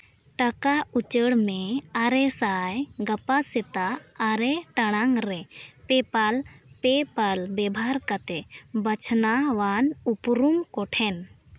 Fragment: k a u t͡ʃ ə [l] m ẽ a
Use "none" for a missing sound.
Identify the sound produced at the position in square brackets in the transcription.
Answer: ɽ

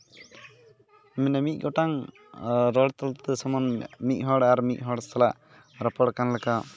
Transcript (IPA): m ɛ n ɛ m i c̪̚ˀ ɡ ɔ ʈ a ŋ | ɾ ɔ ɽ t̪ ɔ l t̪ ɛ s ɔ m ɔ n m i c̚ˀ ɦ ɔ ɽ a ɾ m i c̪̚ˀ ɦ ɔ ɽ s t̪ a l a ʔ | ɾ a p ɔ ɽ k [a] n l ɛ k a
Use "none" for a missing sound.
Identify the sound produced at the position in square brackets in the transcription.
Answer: a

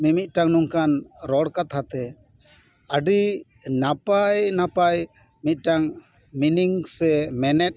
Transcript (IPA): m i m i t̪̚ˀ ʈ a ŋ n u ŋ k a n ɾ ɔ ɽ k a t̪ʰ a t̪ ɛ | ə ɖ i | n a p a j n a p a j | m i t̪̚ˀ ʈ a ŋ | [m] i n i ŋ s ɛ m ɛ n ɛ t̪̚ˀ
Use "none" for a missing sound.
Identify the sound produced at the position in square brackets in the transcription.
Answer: m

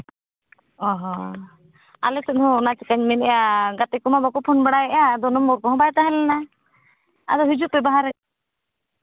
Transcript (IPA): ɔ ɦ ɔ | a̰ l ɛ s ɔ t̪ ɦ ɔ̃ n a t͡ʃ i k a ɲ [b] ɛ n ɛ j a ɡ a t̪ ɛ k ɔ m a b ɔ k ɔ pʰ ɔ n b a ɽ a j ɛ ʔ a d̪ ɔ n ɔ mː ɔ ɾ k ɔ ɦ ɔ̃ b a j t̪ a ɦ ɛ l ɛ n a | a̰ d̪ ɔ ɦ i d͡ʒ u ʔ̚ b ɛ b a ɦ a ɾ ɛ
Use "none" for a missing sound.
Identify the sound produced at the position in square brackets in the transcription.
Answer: m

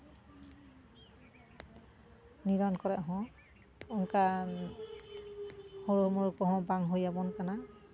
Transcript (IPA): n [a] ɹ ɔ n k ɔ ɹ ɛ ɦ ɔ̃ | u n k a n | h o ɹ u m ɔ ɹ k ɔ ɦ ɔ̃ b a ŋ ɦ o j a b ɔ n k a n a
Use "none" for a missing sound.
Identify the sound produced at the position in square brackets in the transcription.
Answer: i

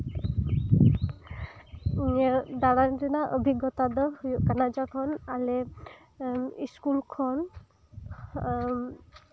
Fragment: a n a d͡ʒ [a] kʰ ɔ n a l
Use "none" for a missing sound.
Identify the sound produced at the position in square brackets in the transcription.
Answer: a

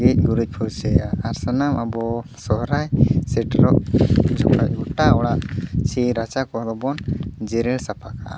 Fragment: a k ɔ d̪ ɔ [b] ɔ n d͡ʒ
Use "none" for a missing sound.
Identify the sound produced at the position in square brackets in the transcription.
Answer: b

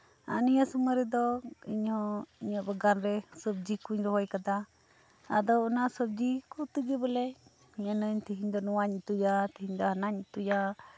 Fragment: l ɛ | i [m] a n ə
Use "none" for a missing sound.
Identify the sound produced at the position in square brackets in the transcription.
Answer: ɲ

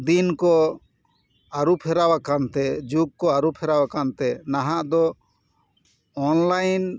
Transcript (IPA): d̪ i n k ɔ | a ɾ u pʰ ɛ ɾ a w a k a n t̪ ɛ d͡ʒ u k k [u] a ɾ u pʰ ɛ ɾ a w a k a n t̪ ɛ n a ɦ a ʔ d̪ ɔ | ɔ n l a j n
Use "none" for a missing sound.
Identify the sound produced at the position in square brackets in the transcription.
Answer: ɔ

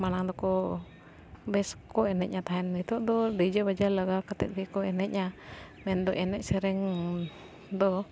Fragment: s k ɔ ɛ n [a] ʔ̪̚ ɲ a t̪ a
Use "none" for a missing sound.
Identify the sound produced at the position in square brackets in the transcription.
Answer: ɛ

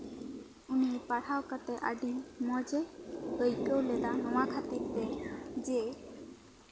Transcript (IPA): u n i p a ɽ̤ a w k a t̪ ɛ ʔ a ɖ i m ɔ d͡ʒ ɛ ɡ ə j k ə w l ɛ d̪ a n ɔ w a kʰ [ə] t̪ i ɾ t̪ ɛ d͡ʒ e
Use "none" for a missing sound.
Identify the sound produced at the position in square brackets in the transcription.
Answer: a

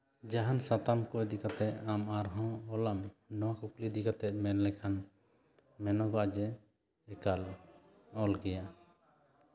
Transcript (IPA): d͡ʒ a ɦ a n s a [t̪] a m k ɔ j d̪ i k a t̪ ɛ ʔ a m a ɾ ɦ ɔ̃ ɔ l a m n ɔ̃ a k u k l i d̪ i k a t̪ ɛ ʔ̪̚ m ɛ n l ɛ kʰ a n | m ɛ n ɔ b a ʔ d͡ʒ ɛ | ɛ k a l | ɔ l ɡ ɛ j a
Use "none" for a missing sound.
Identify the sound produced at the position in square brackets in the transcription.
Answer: t̪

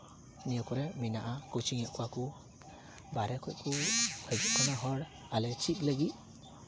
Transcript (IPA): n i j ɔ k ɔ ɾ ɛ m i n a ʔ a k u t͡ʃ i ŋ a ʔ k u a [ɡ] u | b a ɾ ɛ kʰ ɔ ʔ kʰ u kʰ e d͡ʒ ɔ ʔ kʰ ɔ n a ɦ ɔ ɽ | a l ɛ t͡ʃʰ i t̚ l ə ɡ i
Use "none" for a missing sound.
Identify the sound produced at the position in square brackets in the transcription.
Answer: k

